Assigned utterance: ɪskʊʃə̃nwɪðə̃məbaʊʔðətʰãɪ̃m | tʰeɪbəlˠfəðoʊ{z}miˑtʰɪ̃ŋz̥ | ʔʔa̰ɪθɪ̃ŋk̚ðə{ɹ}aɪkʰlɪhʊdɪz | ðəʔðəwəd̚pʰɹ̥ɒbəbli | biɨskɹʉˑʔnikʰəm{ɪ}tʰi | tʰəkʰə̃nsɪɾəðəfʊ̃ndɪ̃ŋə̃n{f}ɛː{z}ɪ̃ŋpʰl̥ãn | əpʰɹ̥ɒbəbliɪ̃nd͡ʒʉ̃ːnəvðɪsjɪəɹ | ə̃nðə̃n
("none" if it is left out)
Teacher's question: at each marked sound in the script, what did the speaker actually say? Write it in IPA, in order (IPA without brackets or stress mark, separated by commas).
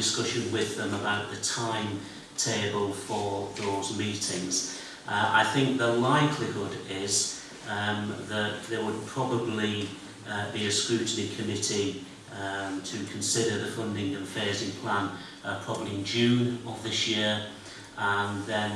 z, l, ɪ, f, z